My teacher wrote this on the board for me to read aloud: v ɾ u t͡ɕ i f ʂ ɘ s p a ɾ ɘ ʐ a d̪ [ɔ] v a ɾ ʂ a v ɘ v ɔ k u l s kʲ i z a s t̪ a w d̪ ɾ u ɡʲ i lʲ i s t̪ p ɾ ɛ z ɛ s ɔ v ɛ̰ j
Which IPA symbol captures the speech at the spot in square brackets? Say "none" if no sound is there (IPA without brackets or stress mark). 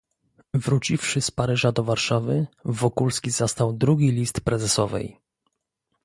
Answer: ɔ